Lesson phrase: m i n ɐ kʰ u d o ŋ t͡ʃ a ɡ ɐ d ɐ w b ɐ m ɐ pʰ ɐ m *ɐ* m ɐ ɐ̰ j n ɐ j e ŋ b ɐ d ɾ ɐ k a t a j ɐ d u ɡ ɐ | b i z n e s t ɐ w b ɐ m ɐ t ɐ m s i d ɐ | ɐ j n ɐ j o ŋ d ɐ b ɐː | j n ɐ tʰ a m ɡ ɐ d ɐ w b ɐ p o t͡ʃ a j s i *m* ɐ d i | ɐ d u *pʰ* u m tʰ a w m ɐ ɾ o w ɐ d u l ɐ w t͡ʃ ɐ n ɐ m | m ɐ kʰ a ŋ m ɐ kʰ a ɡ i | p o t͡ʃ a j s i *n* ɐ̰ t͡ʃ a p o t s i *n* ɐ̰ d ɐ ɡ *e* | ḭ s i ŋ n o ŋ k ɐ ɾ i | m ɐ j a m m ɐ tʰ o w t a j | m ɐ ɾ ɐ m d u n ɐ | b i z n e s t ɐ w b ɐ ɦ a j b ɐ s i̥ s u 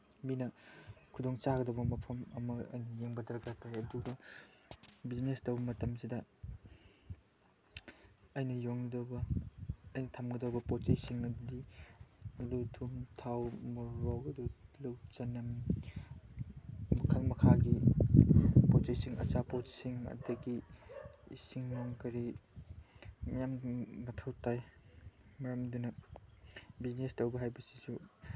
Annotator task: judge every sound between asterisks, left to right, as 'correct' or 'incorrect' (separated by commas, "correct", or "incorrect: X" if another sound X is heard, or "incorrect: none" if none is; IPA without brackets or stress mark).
correct, incorrect: ŋ, incorrect: tʰ, incorrect: ŋ, incorrect: ŋ, incorrect: i